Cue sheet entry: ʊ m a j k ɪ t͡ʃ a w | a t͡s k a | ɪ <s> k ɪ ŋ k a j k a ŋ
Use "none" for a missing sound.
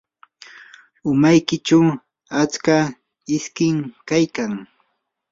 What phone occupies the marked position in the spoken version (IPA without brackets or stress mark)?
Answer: s